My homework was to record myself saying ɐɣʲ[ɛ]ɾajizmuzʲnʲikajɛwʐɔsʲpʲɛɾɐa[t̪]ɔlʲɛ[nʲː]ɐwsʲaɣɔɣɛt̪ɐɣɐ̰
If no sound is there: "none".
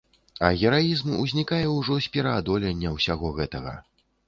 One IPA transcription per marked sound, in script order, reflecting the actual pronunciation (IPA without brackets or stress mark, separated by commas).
ɛ, d̪, nʲː